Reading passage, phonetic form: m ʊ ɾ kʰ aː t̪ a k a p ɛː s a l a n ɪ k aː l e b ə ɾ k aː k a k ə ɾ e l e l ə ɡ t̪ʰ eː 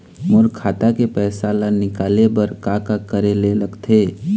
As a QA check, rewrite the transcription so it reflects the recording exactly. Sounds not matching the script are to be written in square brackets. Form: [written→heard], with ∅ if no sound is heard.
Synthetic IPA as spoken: m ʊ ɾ kʰ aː t̪ a k [a→e] p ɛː s a l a n ɪ k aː l e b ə ɾ k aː k a k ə ɾ e l e l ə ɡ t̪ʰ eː